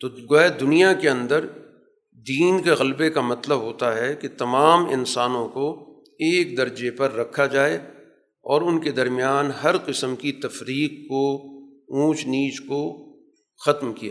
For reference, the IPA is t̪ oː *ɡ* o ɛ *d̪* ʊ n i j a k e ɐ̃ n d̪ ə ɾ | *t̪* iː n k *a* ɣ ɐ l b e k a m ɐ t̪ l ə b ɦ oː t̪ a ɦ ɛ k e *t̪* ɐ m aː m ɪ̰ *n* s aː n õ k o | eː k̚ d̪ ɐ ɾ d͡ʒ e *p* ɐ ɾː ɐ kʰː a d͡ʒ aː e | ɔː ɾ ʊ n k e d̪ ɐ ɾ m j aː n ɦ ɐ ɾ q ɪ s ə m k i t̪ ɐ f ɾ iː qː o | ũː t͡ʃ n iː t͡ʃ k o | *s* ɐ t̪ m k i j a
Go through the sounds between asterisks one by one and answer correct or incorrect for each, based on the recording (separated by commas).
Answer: correct, correct, incorrect, incorrect, correct, correct, correct, incorrect